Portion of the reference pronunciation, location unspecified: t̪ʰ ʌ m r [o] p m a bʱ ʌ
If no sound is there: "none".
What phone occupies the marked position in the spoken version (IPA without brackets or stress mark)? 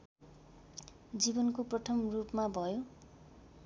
u